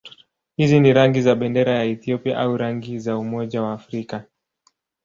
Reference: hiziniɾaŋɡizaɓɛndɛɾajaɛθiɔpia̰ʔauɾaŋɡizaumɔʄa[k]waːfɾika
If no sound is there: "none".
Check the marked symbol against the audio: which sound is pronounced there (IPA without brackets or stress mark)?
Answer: none